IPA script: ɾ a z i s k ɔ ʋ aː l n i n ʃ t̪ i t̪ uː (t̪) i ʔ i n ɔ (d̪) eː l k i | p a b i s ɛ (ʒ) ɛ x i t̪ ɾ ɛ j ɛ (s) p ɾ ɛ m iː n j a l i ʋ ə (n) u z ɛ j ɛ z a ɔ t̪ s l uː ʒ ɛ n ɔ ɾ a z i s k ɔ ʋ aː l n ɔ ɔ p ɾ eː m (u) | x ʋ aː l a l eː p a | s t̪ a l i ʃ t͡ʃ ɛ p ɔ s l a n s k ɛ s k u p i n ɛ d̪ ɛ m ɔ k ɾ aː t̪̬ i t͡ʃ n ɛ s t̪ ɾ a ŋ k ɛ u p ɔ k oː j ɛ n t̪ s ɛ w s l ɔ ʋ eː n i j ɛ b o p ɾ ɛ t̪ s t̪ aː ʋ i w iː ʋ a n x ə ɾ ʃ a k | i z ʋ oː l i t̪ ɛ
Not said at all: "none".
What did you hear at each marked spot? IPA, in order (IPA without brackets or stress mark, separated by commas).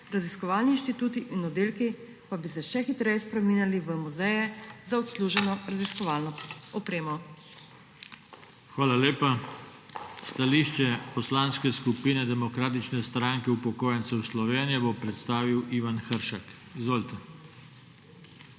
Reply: t̪, d̪, ʃ, s, m, ɔ